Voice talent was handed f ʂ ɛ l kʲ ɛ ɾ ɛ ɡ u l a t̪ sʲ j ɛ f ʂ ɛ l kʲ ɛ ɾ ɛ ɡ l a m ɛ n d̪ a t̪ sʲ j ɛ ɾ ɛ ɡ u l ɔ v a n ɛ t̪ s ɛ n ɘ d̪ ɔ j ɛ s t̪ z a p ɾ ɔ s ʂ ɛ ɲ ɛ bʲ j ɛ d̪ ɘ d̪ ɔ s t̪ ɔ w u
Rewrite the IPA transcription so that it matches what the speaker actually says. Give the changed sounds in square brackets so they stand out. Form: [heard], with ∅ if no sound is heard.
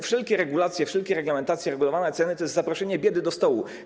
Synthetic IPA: f ʂ ɛ l kʲ ɛ ɾ ɛ ɡ u l a t̪ sʲ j ɛ f ʂ ɛ l kʲ ɛ ɾ ɛ ɡ l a m ɛ n [t̪] a t̪ sʲ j ɛ ɾ ɛ ɡ u l ɔ v a n ɛ t̪ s ɛ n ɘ [t̪] ɔ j ɛ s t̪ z a p ɾ ɔ [∅] ʂ ɛ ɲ ɛ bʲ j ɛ d̪ ɘ d̪ ɔ s t̪ ɔ w u